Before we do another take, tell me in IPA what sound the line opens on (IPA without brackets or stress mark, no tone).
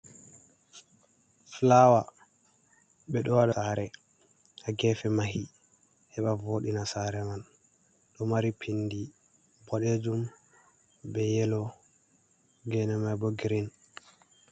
f